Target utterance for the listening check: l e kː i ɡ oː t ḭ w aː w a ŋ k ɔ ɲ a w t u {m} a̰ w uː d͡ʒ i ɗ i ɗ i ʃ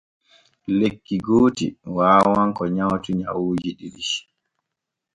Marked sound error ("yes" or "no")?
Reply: yes